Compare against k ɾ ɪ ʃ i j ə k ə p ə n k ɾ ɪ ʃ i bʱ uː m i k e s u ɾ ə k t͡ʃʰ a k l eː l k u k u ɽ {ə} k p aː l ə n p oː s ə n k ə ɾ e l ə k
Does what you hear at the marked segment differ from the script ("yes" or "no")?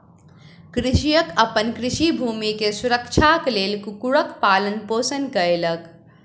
no